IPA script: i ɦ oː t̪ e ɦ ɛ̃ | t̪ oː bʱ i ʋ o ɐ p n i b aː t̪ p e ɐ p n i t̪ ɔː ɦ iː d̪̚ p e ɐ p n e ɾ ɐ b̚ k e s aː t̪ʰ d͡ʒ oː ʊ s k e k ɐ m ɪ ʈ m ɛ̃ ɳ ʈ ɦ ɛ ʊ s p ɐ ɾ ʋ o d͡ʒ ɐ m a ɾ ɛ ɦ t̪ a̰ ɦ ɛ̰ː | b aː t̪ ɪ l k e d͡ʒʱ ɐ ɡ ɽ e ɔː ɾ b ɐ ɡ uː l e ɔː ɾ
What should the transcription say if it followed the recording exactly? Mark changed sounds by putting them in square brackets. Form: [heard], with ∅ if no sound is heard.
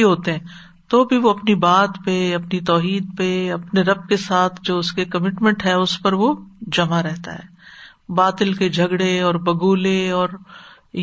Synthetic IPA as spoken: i ɦ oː t̪ e ɦ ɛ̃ | t̪ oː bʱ i ʋ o ɐ p n i b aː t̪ p e ɐ p n i t̪ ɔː ɦ iː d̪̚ p e ɐ p n e ɾ ɐ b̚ k e s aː t̪ʰ d͡ʒ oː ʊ s k e k ɐ m ɪ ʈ m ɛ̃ ɳ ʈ ɦ ɛ ʊ s p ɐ ɾ ʋ o d͡ʒ ɐ m a ɾ ɛ ɦ t̪ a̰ ɦ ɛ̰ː | b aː t̪ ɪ l k e d͡ʒʱ ɐ ɡ ɽ e ɔː ɾ b ɐ ɡ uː l e ɔː ɾ